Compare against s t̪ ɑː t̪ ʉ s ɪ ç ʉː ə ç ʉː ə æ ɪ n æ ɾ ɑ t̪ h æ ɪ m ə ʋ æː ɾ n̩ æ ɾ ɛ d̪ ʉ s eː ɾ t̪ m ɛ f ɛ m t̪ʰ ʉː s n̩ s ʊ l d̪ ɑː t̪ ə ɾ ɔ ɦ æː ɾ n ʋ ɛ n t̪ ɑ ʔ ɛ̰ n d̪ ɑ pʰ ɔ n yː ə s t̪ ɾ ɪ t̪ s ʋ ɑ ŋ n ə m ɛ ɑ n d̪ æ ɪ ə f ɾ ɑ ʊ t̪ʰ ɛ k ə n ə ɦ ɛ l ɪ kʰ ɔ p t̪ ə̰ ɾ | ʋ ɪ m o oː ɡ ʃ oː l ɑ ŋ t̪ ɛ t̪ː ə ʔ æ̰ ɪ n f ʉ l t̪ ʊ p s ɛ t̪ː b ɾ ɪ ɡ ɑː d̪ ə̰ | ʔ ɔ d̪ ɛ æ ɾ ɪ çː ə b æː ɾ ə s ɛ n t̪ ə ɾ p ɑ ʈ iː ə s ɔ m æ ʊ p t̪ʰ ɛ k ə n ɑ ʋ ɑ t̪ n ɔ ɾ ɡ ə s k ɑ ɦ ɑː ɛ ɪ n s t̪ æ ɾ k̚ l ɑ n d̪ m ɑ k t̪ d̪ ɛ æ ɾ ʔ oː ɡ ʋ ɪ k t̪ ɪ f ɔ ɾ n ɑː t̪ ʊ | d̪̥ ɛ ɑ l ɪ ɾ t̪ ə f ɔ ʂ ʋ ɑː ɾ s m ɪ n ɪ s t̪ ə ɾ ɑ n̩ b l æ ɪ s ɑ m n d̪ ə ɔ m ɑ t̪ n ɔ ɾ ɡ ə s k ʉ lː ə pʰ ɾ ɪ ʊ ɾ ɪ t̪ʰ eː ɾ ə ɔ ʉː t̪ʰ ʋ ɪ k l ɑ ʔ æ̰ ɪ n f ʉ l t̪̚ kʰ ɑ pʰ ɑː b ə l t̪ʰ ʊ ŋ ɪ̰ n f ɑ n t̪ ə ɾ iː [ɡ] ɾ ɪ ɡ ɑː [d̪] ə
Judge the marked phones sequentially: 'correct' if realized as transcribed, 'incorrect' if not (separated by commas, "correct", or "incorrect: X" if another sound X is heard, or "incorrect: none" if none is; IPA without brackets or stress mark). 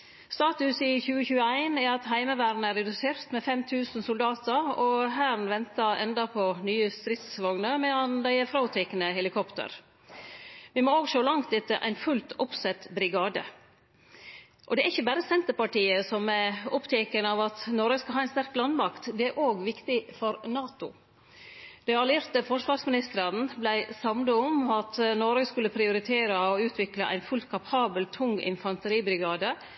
incorrect: b, correct